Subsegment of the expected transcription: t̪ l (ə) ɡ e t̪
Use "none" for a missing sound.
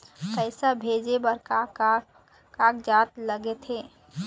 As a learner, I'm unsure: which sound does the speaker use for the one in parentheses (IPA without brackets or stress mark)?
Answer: ə